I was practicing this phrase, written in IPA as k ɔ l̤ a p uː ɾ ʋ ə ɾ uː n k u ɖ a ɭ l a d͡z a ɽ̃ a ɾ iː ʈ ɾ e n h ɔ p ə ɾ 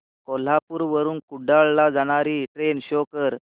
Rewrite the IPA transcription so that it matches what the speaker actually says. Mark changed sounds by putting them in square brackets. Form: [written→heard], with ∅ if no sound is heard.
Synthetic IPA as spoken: k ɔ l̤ a p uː ɾ ʋ ə ɾ uː n k u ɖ a ɭ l a d͡z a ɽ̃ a ɾ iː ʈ ɾ e n [h→ɕ] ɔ [p→k] ə ɾ